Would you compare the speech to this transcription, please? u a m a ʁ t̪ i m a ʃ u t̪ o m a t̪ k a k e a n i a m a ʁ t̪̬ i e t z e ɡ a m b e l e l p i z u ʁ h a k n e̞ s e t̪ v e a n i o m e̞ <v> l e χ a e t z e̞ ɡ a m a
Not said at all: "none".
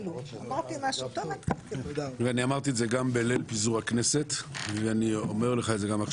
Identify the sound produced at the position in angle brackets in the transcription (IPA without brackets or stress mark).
ʁ